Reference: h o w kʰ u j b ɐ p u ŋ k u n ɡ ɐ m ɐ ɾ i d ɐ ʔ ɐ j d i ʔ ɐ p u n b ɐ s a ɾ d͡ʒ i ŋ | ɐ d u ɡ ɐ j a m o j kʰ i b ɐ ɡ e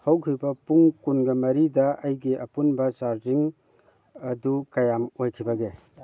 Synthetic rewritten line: h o w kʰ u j b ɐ p u ŋ k u n ɡ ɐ m ɐ ɾ i d ɐ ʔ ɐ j ɡ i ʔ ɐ p u n b ɐ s a ɾ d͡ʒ i ŋ | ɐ d u k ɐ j a m o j kʰ i b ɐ ɡ e